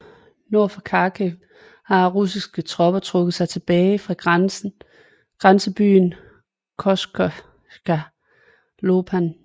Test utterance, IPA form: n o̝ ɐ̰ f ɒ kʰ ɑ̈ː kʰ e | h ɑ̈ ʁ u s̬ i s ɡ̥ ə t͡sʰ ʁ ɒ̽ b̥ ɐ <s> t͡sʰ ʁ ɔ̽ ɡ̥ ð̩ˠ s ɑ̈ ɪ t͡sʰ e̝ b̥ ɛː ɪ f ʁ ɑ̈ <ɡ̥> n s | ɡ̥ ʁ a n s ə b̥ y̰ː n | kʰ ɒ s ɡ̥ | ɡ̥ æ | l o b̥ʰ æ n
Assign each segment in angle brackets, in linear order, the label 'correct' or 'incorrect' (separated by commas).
incorrect, correct